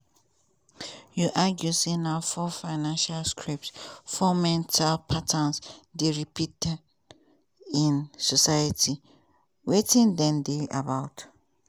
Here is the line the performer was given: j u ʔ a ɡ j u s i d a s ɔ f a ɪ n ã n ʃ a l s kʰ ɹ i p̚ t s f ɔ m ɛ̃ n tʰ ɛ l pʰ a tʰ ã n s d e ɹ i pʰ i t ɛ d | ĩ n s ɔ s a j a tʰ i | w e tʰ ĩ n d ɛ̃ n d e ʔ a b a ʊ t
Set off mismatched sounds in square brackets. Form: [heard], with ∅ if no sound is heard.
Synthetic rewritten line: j u ʔ a ɡ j u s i [n] a [f] ɔ f a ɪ n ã n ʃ a l s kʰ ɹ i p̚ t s f ɔ m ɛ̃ n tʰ [a] l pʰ a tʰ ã n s d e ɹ i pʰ i t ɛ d | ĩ n s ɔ s a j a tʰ i | w e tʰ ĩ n d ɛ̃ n d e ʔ a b a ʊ t